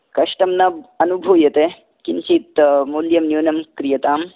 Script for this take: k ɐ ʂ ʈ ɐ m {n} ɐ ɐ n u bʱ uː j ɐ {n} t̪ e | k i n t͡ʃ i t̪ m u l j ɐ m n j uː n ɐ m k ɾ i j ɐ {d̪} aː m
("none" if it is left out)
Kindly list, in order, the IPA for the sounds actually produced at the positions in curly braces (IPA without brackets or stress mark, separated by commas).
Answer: n, none, t̪